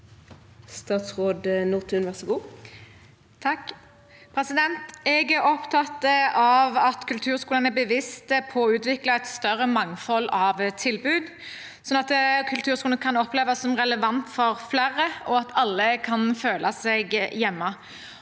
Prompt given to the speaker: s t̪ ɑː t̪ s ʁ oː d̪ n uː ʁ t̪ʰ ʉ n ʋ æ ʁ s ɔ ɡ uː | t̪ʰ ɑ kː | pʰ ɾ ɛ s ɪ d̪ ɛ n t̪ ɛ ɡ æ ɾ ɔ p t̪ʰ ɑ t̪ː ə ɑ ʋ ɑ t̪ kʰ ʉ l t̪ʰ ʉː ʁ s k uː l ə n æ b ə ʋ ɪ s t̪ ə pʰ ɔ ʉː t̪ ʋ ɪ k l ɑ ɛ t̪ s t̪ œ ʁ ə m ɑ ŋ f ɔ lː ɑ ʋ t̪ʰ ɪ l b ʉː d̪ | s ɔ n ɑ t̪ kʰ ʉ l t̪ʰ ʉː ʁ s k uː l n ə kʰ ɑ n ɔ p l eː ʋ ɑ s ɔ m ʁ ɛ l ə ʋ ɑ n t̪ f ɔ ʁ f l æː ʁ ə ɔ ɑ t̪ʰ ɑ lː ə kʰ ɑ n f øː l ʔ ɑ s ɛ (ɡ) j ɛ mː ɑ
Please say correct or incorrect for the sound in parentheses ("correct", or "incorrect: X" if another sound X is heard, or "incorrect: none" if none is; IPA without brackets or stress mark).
correct